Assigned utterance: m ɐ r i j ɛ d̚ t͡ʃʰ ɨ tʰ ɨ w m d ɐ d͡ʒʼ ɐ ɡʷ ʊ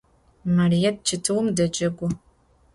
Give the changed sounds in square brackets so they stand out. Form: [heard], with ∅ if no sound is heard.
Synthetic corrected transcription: m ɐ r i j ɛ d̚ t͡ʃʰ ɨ tʰ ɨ w m d ɐ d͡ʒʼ ɐ ɡʷ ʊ